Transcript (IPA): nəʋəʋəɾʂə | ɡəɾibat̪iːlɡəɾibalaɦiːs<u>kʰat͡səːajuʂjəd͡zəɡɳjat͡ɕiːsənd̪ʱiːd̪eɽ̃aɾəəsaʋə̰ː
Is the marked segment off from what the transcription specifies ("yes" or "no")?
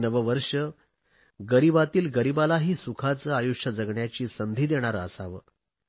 no